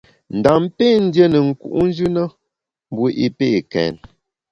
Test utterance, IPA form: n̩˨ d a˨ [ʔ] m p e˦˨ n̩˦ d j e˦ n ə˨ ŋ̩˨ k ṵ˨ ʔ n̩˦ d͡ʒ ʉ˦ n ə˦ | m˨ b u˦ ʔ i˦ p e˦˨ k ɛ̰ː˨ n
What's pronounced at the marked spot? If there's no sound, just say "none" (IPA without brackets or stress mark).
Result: none